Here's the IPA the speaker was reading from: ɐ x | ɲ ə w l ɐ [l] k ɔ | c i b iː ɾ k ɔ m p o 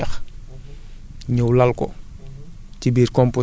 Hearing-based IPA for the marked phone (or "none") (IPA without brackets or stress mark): l